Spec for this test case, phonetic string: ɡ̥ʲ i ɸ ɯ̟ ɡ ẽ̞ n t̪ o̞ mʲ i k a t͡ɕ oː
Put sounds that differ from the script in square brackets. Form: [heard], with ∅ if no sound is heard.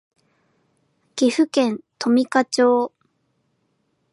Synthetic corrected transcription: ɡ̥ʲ i ɸ ɯ̟ [k] ẽ̞ n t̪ o̞ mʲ i k a t͡ɕ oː